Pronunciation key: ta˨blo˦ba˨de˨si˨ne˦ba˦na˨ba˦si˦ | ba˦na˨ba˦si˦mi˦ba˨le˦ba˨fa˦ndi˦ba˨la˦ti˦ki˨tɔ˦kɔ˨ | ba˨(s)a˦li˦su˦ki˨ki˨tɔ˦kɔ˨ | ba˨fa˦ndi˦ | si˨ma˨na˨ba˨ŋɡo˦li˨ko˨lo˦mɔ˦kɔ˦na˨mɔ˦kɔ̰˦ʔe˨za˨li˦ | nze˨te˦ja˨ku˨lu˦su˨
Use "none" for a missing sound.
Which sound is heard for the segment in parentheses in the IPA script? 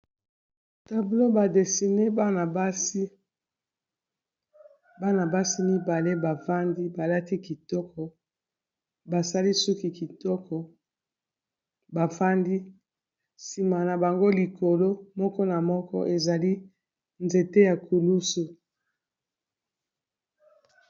s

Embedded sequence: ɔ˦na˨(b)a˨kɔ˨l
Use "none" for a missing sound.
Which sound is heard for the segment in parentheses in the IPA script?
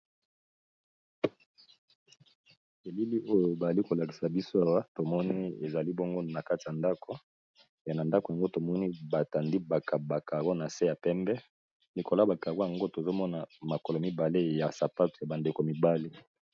m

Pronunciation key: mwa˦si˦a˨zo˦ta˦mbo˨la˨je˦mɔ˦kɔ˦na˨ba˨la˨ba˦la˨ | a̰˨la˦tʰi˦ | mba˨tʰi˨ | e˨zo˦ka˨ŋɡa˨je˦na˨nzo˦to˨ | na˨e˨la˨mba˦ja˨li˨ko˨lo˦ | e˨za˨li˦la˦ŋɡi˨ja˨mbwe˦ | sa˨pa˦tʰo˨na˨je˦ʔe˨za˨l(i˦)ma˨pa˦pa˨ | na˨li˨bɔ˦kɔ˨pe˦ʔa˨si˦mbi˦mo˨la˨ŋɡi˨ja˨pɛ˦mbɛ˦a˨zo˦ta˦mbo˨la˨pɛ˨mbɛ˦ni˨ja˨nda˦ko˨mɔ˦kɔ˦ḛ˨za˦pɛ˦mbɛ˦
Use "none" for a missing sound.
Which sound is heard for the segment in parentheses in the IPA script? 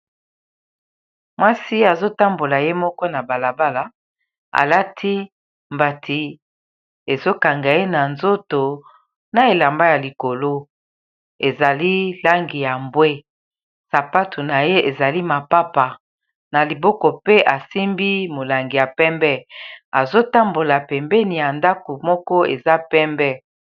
i˦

